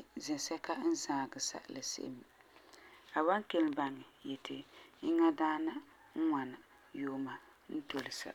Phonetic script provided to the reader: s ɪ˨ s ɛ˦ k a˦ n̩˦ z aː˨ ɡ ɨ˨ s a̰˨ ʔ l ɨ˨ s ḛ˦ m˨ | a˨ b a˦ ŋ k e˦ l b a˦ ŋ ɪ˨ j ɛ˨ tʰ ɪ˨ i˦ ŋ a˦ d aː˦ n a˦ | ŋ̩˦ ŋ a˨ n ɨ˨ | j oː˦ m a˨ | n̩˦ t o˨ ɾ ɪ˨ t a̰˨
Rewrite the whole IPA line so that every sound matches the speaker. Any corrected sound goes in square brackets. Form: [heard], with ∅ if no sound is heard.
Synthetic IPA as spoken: [z] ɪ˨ s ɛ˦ k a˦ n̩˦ z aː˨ ɡ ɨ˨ s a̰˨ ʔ l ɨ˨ s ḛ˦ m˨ | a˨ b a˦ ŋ k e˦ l b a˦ ŋ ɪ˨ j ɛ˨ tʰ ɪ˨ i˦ ŋ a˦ d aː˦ n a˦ | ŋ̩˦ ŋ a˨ n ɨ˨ | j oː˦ m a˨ | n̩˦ t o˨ [l] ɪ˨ [s] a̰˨